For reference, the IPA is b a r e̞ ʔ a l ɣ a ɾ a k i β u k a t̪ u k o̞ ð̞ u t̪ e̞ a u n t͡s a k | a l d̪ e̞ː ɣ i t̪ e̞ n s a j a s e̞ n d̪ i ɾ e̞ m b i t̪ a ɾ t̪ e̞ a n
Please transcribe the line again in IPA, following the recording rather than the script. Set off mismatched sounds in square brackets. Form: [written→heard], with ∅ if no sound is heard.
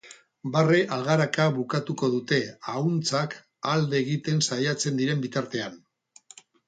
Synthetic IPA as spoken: b a r e̞ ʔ a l ɣ a ɾ a k [i→a] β u k a t̪ u k o̞ ð̞ u t̪ e̞ a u n t͡s a k | a l d̪ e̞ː ɣ i t̪ e̞ n s a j a [s→t͡s] e̞ n d̪ i ɾ e̞ m b i t̪ a ɾ t̪ e̞ a n